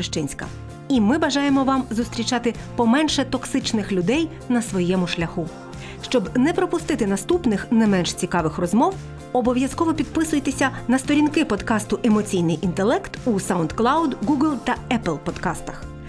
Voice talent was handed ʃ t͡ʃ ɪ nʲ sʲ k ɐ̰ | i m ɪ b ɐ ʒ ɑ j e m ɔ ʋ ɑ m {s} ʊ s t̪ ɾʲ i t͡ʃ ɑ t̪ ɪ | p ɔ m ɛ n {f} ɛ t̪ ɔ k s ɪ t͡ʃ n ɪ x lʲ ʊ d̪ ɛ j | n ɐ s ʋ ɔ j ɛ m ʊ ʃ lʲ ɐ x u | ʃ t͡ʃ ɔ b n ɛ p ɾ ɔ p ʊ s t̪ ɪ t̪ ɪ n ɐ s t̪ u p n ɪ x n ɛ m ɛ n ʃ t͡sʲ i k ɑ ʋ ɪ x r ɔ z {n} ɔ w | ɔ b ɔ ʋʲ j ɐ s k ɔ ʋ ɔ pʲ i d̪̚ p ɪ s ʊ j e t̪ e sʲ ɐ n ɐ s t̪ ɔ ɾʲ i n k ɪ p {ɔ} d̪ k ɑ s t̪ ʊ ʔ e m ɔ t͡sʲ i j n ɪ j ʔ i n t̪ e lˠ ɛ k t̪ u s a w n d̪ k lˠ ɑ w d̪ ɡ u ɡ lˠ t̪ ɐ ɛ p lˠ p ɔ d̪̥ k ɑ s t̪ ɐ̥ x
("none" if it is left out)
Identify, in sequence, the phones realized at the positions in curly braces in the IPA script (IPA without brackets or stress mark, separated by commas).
z, ʃ, m, ɔ